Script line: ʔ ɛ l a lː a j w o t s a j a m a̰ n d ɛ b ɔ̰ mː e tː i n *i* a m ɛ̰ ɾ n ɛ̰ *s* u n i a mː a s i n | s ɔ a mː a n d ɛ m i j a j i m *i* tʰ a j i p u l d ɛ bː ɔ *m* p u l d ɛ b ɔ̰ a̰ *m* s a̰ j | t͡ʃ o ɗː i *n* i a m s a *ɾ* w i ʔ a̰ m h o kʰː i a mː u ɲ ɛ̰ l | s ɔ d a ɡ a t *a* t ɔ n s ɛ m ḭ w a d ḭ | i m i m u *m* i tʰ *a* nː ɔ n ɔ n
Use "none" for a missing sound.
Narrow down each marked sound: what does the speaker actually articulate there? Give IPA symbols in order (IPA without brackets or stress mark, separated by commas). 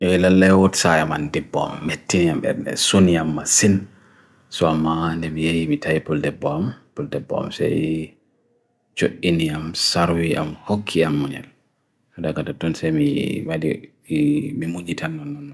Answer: i, s, i, m, m, n, ɾ, a, ɲ, a